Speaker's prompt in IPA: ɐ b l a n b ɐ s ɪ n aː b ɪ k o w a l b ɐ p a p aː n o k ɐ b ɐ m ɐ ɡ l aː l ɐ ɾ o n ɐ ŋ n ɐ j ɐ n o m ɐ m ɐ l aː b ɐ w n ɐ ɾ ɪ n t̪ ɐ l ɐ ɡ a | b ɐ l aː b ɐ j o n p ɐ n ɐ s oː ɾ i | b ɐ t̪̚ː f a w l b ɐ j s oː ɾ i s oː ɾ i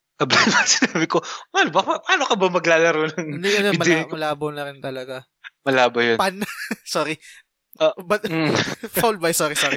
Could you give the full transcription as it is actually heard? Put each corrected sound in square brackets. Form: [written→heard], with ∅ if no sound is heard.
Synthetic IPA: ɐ b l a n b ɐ s ɪ n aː b ɪ k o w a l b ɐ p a p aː n o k ɐ b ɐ m ɐ ɡ l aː l ɐ ɾ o n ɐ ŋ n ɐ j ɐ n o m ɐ m ɐ l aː b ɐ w n ɐ ɾ ɪ n t̪ ɐ l ɐ ɡ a | [b→m] ɐ l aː b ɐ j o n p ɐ n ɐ s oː ɾ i | b ɐ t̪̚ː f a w l b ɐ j s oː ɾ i s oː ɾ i